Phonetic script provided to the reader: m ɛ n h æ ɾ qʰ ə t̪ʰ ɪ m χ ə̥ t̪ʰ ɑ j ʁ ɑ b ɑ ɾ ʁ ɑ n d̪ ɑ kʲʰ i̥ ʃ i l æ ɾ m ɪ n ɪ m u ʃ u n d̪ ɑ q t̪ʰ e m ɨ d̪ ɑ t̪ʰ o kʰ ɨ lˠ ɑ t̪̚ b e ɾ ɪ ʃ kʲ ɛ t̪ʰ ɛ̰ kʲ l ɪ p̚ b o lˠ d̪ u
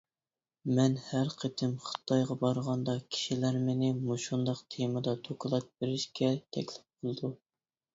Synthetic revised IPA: m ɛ n h æ ɾ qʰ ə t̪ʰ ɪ m χ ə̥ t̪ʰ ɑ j ʁ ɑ b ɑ ɾ ʁ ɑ n d̪ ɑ kʲʰ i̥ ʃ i l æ ɾ m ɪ n ɪ m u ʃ u n d̪ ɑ q t̪ʰ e m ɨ d̪ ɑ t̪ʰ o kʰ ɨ lˠ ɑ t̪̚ b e ɾ ɪ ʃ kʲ ɛ t̪ʰ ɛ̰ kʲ l ɪ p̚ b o lˠ d̪ u